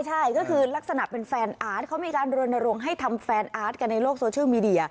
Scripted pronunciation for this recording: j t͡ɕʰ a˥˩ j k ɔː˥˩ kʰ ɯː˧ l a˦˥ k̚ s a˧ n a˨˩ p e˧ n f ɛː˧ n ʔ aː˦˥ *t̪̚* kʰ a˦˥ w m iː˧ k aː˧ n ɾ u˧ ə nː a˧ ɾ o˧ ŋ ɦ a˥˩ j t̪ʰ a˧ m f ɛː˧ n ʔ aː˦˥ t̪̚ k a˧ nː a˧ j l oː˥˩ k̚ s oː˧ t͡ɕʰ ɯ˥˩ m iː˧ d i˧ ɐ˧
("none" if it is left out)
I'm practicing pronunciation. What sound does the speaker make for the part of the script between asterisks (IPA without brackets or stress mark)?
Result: t̪̚